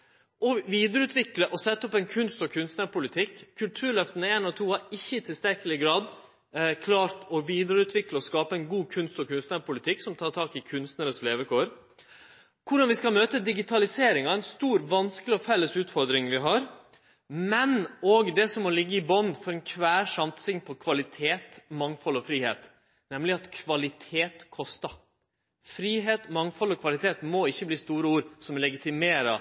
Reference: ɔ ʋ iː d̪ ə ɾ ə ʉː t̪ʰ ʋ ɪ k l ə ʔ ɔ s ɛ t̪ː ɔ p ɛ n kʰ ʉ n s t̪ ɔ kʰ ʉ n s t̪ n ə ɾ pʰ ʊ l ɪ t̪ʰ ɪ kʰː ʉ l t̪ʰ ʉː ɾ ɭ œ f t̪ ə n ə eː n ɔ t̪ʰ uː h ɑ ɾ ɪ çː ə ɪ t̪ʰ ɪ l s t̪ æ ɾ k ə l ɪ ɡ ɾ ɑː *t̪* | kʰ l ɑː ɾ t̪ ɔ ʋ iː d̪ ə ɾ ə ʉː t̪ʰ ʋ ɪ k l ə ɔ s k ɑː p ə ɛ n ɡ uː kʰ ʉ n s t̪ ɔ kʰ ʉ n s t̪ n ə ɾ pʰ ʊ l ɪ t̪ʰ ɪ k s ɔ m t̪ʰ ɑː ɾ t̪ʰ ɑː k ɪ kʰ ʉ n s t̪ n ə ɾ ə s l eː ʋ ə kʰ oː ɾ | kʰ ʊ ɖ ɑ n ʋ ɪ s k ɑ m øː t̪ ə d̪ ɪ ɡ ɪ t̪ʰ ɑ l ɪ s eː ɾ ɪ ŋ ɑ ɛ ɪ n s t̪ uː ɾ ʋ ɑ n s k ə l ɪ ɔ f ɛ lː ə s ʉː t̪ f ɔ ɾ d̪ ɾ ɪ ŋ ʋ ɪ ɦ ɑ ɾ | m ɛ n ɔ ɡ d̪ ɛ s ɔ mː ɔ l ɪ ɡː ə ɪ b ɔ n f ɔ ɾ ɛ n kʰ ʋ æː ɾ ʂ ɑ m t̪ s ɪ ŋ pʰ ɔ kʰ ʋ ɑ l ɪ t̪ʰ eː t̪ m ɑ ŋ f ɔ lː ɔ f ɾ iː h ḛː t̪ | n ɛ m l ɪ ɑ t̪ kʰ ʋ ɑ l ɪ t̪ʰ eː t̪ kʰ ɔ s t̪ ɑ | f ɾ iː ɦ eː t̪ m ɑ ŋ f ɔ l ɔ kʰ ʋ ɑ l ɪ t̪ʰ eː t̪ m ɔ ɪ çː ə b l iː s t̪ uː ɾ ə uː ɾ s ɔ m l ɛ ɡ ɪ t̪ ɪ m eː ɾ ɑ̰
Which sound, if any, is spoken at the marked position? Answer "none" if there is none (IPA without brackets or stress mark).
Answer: d̪